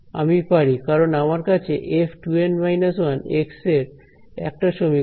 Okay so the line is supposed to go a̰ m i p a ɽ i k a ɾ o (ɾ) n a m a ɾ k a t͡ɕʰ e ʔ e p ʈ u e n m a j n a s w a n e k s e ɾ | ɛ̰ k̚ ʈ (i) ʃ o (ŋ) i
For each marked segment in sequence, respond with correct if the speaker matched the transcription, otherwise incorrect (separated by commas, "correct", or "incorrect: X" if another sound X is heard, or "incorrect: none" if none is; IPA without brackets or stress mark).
incorrect: none, incorrect: a, incorrect: m